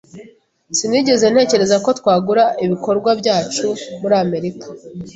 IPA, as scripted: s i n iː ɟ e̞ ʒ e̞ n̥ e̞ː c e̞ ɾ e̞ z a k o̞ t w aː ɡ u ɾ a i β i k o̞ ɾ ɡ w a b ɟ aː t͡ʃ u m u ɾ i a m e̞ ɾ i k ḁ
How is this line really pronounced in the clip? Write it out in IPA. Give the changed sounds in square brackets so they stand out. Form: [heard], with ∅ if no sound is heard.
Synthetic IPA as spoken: s i n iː ɟ e̞ [z] e̞ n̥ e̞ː c e̞ ɾ e̞ z a k o̞ t w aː ɡ u ɾ a i β i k o̞ ɾ ɡ w a b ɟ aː t͡ʃ u m u ɾ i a m e̞ ɾ i k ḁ